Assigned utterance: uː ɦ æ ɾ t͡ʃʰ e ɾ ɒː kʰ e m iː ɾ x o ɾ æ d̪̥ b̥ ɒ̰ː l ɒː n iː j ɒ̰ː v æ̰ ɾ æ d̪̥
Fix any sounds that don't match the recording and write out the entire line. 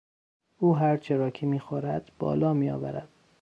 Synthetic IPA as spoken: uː ɦ æ ɾ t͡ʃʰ e ɾ ɒː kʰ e m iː x o ɾ æ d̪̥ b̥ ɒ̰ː l ɒː m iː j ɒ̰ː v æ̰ ɾ æ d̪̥